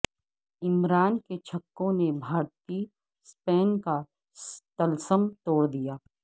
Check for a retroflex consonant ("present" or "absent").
present